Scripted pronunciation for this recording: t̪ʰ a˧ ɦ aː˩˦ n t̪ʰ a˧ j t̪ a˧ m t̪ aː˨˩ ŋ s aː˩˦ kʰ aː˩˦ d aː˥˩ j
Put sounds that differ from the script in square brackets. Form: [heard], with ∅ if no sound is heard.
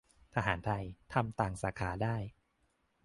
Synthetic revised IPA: t̪ʰ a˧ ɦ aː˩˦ n t̪ʰ a˧ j [t̪ʰ] a˧ m t̪ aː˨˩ ŋ s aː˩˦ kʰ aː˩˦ d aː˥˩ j